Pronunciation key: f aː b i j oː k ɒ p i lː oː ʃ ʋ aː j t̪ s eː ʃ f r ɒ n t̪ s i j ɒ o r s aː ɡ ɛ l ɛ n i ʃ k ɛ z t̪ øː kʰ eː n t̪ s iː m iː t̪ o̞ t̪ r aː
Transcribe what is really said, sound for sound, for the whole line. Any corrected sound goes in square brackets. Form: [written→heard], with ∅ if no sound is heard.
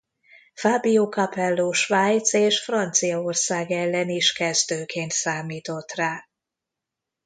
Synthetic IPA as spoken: f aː b i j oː k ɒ p [i→ɛ] lː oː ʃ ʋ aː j t̪ s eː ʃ f r ɒ n t̪ s i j ɒ o r s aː ɡ ɛ [l→lː] ɛ n i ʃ k ɛ z [t̪→d̪] øː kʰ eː n t̪ s [iː→aː] m iː t̪ o̞ t̪ r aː